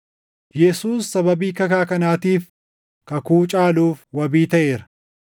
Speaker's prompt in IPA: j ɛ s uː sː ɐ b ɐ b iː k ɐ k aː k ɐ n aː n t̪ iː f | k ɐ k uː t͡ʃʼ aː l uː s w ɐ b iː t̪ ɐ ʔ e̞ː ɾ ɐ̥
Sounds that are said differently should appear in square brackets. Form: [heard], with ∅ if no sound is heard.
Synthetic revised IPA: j ɛ s uː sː ɐ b ɐ b iː k ɐ k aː k ɐ n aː [∅] t̪ iː f | k ɐ k uː t͡ʃʼ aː l uː [f] w ɐ b iː t̪ ɐ ʔ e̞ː ɾ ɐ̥